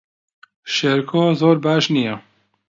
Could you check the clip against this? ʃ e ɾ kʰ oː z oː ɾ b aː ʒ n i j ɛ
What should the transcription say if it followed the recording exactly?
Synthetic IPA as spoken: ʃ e ɾ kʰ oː z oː ɾ b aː ʃ n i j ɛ